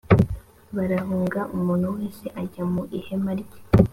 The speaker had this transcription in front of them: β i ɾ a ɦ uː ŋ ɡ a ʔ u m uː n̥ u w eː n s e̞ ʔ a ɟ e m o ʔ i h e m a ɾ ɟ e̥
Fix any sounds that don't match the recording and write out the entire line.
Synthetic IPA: β a ɾ a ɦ uː ŋ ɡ a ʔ u m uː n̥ u w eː n s e̞ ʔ a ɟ a m u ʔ i h e m a ɾ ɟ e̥